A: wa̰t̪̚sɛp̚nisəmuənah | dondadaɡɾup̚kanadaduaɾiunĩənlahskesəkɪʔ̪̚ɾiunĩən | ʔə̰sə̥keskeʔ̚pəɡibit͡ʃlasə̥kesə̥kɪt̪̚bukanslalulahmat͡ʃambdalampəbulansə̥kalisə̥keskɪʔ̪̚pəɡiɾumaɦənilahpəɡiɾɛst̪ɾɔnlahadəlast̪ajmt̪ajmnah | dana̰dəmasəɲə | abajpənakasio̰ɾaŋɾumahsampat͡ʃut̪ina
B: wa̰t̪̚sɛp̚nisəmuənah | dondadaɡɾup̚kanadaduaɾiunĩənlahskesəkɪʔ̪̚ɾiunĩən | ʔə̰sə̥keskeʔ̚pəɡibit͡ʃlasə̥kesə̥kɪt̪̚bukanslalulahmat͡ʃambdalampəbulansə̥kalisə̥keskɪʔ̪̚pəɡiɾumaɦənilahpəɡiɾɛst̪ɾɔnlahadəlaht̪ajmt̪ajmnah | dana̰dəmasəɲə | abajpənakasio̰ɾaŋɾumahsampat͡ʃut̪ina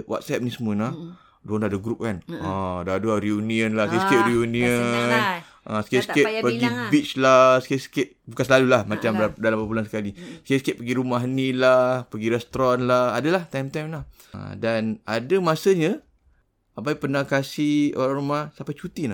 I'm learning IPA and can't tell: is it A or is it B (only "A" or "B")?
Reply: B